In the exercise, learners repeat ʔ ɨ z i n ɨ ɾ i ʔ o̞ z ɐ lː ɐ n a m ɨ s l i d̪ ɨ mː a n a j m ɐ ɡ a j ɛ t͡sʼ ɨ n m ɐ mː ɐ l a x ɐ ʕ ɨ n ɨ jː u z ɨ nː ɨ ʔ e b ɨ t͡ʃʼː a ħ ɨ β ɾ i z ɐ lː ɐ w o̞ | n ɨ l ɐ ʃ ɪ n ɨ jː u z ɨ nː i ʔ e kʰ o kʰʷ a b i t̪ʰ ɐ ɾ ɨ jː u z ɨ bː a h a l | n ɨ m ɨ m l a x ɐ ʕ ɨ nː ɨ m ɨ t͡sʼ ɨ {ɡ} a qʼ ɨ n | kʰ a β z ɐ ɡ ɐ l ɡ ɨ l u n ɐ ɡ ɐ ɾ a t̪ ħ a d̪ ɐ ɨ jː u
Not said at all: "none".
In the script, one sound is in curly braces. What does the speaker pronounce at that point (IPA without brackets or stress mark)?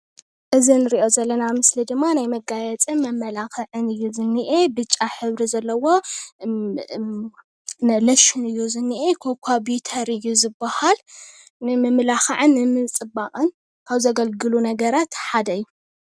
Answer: b